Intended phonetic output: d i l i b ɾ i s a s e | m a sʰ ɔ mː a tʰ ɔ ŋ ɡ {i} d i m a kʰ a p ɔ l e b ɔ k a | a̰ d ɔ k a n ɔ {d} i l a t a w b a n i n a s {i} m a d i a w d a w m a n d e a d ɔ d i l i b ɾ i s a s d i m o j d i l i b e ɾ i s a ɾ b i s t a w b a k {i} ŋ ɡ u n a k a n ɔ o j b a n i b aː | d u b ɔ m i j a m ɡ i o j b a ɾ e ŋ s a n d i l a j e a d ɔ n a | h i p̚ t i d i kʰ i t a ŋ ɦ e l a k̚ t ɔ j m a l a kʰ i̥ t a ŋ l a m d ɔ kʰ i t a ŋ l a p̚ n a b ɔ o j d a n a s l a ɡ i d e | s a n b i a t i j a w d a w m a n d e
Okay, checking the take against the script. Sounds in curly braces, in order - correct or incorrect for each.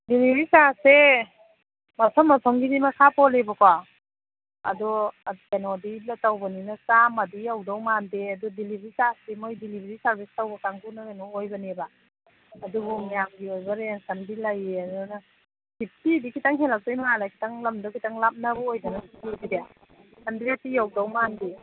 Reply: correct, correct, incorrect: a, incorrect: a

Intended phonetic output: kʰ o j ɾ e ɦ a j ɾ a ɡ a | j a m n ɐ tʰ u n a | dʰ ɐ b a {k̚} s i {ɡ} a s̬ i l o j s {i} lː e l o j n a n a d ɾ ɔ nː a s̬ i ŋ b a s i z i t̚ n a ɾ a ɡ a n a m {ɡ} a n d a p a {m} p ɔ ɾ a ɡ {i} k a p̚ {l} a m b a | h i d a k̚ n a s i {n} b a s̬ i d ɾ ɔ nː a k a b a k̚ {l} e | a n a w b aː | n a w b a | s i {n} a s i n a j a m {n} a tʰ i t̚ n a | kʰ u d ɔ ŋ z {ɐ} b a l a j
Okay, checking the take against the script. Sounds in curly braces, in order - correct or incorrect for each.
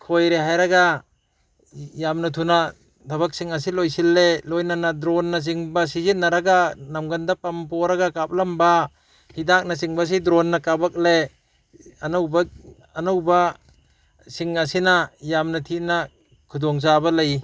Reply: correct, incorrect: ŋ, correct, correct, correct, incorrect: a, correct, incorrect: ŋ, correct, incorrect: ŋ, correct, incorrect: a

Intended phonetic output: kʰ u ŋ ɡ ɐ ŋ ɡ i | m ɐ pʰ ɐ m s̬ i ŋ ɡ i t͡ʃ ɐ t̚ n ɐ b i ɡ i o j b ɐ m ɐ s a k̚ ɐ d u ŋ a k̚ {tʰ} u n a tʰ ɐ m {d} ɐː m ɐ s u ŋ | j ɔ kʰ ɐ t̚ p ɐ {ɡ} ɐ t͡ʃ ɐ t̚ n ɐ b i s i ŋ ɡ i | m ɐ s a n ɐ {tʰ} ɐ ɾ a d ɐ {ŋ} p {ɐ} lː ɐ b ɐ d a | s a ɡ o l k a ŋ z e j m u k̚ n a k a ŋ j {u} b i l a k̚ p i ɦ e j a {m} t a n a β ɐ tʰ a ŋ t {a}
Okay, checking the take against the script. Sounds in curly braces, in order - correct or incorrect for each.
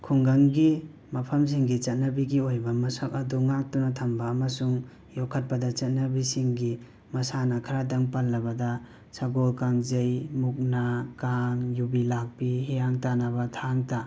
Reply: incorrect: t, incorrect: b, incorrect: d, incorrect: kʰ, correct, incorrect: a, correct, incorrect: ŋ, correct

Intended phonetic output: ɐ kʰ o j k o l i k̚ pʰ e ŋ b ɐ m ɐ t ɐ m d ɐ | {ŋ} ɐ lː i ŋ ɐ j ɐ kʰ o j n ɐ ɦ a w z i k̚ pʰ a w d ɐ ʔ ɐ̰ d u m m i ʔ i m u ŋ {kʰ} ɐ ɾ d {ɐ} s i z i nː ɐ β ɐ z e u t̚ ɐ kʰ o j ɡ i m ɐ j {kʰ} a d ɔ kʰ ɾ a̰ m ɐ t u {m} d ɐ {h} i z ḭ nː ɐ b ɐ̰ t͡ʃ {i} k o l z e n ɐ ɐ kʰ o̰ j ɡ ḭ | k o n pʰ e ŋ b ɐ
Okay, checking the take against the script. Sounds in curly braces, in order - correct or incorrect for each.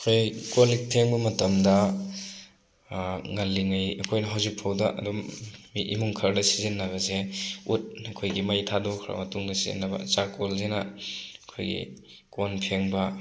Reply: correct, correct, correct, incorrect: tʰ, incorrect: ŋ, incorrect: s, incorrect: a

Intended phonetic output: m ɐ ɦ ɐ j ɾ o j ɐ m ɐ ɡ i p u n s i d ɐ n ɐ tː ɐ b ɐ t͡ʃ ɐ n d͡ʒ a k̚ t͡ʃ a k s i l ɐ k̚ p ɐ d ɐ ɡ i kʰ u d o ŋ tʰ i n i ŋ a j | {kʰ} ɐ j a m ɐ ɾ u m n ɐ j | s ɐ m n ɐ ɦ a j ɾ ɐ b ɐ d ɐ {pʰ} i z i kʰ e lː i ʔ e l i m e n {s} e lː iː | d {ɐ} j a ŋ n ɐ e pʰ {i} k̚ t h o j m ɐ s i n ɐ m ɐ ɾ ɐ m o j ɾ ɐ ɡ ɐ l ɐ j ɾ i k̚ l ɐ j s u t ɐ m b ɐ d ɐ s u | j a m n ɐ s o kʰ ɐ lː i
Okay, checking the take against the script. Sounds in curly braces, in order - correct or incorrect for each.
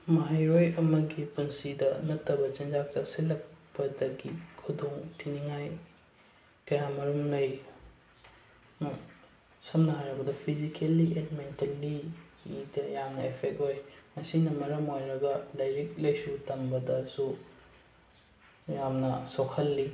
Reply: incorrect: k, correct, incorrect: t, correct, incorrect: e

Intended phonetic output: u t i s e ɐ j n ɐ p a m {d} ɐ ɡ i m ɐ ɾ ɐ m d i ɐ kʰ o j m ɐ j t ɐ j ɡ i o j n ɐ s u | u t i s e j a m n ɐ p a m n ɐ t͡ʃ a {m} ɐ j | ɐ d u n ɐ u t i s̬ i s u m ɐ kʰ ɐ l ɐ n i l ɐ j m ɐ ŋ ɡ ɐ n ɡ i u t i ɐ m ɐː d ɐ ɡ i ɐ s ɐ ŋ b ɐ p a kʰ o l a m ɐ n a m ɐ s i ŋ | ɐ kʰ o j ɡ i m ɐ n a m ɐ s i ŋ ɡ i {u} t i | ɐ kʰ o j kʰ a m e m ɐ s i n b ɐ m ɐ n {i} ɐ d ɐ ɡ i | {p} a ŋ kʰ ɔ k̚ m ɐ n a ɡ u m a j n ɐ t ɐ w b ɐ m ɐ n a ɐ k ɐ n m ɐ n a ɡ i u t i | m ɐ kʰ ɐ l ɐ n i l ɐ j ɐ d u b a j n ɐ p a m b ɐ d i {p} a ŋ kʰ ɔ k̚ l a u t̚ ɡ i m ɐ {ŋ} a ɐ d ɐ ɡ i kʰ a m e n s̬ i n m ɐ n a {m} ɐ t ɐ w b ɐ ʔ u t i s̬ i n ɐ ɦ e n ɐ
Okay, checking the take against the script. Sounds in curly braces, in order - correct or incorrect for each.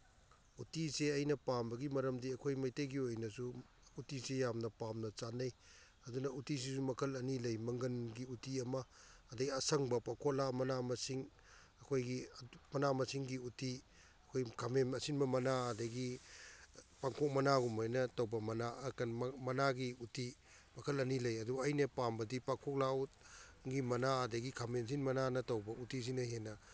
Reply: incorrect: b, incorrect: n, correct, incorrect: a, correct, correct, incorrect: n, incorrect: n

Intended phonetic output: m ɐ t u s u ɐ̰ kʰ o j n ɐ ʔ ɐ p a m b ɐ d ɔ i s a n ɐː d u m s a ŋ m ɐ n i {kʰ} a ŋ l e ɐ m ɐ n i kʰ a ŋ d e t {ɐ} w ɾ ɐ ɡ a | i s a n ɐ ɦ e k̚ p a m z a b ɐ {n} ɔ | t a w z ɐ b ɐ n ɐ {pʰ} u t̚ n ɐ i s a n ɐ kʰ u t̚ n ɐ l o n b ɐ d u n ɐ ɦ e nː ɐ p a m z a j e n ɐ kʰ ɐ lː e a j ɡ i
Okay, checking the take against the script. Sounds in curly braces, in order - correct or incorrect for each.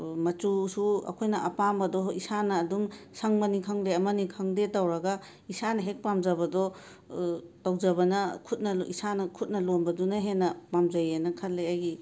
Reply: correct, incorrect: a, incorrect: d, incorrect: kʰ

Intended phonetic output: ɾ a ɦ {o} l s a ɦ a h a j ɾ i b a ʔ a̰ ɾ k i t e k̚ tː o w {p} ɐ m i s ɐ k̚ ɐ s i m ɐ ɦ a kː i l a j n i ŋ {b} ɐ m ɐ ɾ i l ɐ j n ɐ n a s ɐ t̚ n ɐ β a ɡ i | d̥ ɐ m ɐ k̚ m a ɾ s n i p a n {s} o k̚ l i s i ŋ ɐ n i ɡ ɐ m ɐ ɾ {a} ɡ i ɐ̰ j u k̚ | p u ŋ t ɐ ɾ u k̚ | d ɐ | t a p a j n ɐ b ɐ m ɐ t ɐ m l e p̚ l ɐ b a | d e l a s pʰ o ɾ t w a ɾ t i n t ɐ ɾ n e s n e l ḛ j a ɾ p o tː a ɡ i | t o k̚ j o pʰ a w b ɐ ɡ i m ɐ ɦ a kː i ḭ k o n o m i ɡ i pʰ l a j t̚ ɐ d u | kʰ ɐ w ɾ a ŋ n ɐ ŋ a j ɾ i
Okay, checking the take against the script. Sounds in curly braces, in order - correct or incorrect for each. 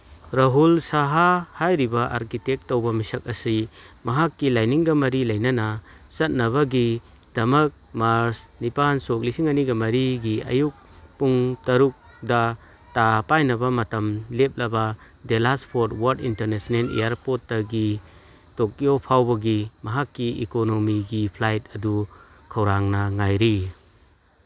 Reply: incorrect: u, incorrect: b, incorrect: ɡ, correct, incorrect: i

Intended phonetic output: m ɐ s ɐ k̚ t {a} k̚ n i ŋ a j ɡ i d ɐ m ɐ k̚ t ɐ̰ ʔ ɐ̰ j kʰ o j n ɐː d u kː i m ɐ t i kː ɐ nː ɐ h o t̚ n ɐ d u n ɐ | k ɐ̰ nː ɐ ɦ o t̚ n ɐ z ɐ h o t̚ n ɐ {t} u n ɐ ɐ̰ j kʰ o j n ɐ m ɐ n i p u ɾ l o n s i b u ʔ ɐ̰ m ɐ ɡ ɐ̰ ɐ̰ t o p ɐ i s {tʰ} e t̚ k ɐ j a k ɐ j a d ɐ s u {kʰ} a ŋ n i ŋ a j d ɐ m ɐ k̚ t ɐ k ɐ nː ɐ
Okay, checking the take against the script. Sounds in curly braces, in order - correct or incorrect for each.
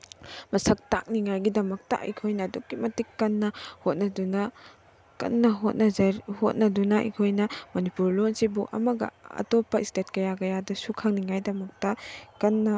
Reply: correct, incorrect: d, incorrect: t, correct

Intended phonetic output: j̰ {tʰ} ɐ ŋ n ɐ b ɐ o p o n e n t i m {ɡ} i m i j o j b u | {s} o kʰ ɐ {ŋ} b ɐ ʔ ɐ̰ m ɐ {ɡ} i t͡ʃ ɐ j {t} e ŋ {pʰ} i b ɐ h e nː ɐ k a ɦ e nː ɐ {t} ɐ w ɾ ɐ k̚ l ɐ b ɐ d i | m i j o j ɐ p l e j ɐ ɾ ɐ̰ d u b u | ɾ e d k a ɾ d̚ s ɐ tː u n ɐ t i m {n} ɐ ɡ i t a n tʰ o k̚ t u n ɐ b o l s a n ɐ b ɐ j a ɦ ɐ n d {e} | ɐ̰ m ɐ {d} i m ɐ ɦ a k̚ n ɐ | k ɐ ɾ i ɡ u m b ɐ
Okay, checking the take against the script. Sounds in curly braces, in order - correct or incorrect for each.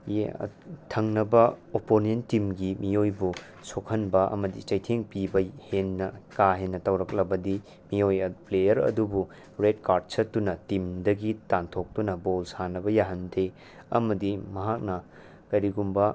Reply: correct, correct, correct, incorrect: n, incorrect: d, incorrect: tʰ, incorrect: p, correct, incorrect: d, correct, correct

